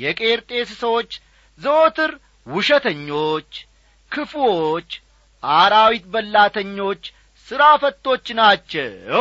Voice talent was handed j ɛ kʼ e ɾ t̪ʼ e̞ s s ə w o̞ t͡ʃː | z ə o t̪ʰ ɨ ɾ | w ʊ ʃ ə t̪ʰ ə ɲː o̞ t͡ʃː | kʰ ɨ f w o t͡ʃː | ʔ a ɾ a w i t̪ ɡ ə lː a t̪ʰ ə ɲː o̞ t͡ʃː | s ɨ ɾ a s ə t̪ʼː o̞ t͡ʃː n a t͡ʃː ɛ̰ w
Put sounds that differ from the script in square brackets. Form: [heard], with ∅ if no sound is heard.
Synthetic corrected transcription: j ɛ kʼ e ɾ t̪ʼ e̞ s s ə w o̞ t͡ʃː | z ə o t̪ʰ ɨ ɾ | w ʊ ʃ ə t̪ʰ ə ɲː o̞ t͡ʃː | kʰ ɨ f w o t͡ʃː | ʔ a ɾ a w i t̪ [b] ə lː a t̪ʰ ə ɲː o̞ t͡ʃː | s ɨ ɾ a [f] ə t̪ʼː o̞ t͡ʃː n a t͡ʃː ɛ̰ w